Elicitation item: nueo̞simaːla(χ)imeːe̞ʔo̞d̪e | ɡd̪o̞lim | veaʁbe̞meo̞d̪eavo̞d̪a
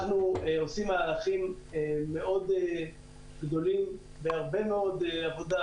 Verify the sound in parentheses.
correct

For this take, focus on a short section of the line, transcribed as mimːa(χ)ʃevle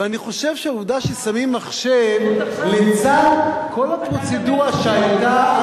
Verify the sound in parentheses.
correct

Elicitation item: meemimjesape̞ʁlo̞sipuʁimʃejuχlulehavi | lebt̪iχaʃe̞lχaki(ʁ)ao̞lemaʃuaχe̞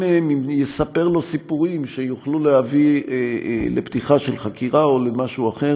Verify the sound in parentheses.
correct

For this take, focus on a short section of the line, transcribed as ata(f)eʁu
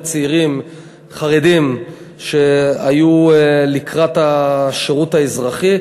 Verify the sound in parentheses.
incorrect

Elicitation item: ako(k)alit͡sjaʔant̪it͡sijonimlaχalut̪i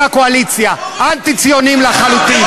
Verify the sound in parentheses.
incorrect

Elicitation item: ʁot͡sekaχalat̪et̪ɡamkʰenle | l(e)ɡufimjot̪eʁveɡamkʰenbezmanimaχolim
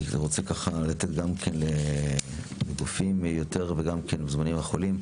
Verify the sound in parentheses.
correct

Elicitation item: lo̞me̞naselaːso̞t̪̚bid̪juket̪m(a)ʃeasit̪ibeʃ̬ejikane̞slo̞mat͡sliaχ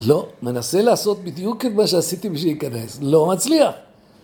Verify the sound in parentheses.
correct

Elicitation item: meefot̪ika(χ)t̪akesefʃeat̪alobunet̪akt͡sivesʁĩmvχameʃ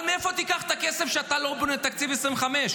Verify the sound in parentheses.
correct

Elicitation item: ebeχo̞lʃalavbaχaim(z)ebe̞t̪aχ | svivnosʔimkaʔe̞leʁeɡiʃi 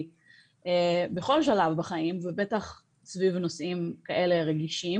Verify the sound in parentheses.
incorrect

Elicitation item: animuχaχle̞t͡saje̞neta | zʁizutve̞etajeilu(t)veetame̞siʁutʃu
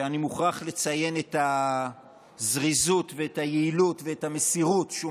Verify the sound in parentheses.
correct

